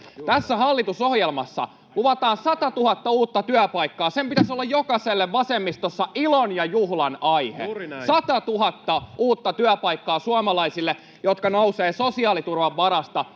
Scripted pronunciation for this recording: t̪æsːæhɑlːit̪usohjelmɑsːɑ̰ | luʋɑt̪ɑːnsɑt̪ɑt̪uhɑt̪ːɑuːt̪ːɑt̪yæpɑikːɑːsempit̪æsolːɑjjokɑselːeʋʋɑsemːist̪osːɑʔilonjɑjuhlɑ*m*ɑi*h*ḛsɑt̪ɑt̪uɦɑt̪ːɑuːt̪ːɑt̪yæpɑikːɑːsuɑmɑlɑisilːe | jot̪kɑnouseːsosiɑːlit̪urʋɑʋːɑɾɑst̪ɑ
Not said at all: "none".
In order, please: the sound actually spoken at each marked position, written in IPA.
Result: n, h

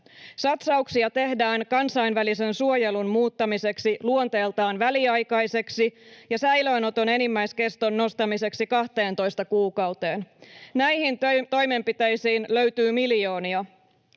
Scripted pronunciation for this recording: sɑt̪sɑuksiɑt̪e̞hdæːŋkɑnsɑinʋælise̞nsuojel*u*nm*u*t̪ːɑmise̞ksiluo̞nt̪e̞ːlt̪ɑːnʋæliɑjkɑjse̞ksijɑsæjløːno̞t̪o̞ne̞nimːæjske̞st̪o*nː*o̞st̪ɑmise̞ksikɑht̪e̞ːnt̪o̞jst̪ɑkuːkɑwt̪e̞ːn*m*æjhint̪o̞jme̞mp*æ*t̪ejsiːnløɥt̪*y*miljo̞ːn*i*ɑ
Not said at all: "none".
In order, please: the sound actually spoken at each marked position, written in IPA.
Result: u, uː, nː, n, i, yː, i

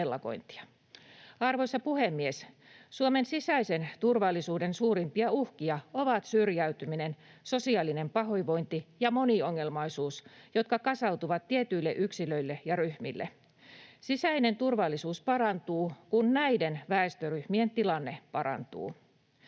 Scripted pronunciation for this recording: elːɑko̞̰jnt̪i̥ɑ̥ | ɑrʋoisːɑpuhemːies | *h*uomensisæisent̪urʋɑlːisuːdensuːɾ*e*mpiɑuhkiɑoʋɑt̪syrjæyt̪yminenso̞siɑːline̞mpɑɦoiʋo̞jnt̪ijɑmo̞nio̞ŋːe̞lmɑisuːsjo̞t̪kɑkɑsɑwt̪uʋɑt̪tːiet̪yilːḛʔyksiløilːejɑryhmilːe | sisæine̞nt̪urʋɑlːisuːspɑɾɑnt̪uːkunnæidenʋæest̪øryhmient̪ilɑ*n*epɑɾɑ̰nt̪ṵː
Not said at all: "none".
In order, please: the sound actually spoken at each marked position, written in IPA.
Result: s, i, nː

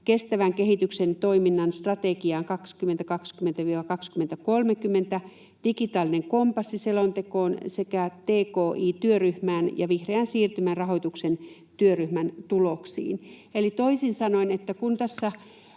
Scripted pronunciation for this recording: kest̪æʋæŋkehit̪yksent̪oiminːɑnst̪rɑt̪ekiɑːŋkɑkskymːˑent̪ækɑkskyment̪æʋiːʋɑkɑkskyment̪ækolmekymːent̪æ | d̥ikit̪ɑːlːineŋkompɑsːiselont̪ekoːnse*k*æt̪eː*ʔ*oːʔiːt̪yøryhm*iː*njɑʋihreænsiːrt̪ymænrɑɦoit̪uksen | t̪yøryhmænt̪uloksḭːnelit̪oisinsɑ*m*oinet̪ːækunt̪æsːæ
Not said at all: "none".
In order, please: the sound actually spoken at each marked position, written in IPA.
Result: k, k, æː, n

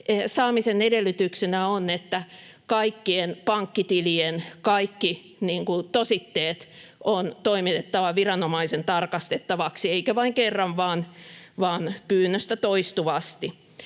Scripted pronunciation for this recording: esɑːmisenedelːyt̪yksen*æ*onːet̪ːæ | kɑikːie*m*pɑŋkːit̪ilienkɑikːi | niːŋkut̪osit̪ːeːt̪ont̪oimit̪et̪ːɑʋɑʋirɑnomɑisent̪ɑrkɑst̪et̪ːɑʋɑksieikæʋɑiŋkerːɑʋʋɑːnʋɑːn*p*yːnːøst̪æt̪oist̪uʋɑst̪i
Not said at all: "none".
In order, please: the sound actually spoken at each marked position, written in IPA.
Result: æ, n, p

